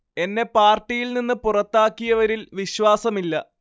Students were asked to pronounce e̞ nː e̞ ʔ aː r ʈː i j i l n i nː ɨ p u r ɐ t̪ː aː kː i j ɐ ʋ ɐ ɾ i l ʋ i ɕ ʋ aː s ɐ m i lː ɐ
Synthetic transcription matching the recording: e̞ nː e̞ p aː r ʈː i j i l n i nː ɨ p u r ɐ t̪ː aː kː i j ɐ ʋ ɐ ɾ i l ʋ i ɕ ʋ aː s ɐ m i lː ɐ